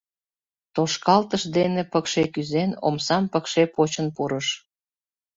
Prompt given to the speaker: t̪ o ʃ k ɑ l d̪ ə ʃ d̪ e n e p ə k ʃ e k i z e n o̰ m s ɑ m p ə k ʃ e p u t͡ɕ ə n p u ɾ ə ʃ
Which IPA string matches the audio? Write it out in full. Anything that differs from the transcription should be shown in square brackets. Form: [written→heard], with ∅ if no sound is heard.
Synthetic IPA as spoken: t̪ o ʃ k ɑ l [d̪→t̪] ə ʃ d̪ e n e p ə k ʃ e k [i→y] z e n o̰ m s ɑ m p ə k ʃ e p [u→o] t͡ɕ ə n p u ɾ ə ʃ